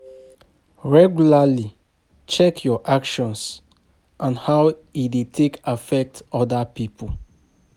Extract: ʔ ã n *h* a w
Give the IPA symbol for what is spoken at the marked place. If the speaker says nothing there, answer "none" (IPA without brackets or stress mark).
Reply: h